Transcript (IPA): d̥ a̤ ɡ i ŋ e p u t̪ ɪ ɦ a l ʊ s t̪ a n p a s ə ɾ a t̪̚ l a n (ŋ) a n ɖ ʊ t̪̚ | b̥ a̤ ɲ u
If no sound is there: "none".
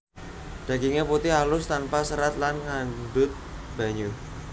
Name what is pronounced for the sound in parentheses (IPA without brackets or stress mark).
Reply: ŋ